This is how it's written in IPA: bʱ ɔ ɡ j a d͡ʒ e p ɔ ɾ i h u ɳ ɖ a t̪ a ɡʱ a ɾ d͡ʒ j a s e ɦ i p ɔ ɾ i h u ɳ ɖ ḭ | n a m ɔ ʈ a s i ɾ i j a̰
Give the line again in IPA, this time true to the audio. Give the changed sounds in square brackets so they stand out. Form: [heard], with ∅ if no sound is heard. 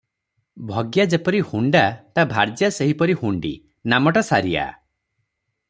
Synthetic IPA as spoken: bʱ ɔ ɡ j a d͡ʒ e p ɔ ɾ i h u ɳ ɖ a t̪ a [bʱ] a ɾ d͡ʒ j a s e ɦ i p ɔ ɾ i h u ɳ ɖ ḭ | n a m ɔ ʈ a s [a] ɾ i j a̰